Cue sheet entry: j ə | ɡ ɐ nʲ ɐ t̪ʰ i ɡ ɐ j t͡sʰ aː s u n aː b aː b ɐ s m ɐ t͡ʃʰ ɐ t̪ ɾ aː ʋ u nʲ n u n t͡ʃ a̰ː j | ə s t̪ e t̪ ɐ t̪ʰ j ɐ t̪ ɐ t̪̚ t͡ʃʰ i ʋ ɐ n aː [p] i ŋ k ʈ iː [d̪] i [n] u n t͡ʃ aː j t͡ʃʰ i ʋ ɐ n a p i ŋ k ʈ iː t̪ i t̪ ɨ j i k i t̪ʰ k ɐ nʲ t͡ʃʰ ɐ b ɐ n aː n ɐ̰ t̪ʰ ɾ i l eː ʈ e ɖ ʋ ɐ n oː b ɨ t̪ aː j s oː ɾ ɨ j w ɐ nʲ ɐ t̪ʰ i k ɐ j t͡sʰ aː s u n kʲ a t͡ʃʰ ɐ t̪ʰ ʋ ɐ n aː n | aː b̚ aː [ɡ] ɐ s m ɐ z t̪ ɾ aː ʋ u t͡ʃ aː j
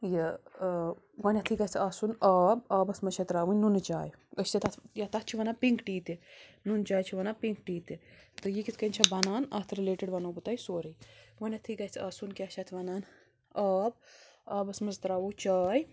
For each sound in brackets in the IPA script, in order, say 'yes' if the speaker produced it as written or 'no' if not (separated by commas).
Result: yes, no, yes, no